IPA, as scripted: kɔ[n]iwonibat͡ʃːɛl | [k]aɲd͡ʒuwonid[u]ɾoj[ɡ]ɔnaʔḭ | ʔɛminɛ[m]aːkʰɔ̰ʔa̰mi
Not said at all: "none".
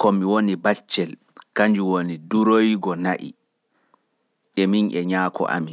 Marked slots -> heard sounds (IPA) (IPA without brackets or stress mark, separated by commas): m, k, u, ɡ, ɲ